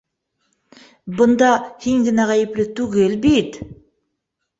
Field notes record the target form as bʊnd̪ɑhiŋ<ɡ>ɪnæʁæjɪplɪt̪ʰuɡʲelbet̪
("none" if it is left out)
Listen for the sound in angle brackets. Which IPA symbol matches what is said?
ɡ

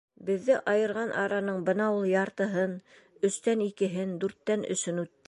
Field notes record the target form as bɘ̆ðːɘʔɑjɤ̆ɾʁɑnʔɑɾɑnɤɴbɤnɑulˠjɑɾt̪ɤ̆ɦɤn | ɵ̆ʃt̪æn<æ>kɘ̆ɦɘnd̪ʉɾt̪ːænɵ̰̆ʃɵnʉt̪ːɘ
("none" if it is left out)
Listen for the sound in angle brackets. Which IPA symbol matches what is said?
i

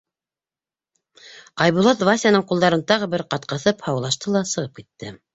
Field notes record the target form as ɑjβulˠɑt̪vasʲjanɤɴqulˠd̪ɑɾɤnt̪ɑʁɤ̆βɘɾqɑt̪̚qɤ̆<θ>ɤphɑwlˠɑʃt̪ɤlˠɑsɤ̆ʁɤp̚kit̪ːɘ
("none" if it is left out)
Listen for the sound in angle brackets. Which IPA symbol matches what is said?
θ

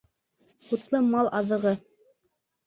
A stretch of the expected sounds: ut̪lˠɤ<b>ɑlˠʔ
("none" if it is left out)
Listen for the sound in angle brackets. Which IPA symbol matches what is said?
m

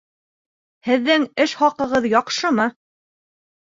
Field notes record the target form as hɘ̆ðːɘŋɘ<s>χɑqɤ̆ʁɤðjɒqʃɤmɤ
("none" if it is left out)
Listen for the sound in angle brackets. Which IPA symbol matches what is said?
ʃ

